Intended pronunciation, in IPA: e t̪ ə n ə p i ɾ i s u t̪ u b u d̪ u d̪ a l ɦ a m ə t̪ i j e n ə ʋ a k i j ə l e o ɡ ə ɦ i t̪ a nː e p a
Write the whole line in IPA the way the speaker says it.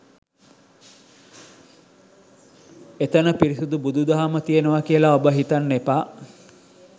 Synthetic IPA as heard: e t̪ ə n ə p i ɾ i s u d̪ u b u d̪ u d̪ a ɦ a m ə t̪ i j e n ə ʋ a k i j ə l a o b ə ɦ i t̪ a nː e p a